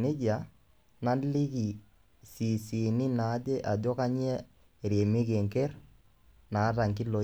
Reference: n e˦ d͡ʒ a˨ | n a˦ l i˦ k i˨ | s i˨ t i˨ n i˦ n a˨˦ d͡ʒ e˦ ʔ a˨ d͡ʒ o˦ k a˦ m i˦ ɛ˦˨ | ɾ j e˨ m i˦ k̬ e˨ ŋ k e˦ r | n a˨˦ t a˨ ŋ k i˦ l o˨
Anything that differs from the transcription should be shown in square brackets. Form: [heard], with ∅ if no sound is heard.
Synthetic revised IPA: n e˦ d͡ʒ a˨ | n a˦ l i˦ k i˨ | s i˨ [s] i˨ n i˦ n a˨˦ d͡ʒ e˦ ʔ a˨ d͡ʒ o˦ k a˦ [ɲ] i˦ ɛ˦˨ | ɾ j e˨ m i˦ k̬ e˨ ŋ k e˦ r | n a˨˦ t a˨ ŋ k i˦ l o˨

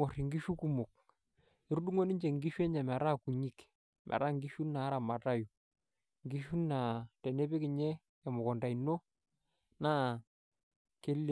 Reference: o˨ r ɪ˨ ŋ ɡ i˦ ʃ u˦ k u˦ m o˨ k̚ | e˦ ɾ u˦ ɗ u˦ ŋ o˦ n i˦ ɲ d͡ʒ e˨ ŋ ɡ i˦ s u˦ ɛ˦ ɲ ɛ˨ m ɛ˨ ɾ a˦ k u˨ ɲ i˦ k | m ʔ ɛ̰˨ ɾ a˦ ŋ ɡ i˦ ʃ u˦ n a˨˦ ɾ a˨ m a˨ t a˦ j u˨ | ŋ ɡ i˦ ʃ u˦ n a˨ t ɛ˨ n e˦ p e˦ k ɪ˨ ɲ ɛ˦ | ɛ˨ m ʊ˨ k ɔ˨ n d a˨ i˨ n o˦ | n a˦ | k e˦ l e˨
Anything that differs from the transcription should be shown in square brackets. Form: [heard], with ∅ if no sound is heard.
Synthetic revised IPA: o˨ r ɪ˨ ŋ ɡ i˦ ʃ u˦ k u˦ m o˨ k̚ | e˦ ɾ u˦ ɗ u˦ ŋ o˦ n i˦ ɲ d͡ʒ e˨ ŋ ɡ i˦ [ʃ] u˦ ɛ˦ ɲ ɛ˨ m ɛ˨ ɾ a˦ k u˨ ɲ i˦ k | m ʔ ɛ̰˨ ɾ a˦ ŋ ɡ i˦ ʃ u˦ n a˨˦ ɾ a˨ m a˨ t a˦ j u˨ | ŋ ɡ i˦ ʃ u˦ n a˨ t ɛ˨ n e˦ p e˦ k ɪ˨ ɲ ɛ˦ | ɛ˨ m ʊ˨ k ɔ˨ n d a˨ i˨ n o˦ | n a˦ | k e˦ l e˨

